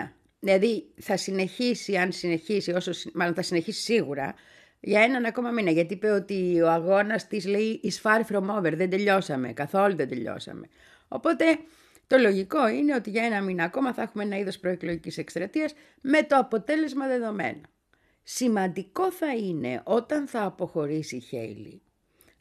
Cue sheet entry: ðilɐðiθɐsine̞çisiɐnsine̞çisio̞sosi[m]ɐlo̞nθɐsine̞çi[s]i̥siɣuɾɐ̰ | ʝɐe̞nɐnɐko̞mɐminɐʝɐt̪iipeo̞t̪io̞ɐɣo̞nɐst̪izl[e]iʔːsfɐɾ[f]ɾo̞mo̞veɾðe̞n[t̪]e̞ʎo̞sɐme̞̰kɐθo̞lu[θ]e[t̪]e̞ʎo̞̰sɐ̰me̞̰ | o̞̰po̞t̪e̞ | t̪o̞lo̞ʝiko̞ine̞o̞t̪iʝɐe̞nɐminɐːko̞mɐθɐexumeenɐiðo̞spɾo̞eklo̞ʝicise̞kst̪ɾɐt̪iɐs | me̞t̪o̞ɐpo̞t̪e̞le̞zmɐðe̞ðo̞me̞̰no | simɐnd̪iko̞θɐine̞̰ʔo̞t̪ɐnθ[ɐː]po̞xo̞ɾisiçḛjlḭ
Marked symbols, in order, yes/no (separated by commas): yes, yes, yes, yes, no, no, no, yes